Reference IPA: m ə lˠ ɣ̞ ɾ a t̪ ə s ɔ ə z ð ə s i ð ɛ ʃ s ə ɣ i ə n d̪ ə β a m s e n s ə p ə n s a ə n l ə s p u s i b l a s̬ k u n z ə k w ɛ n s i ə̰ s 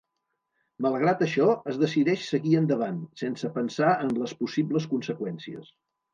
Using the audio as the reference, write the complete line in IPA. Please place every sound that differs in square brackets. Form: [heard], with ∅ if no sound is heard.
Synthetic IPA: m ə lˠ ɣ̞ ɾ a t̪ ə [ʃ] ɔ ə z ð ə s i ð ɛ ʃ s ə ɣ i ə n d̪ ə β a [n] s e n s ə p ə n s a ə n l ə s p u s i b l [ə] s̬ k u n [s] ə k w ɛ n s i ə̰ s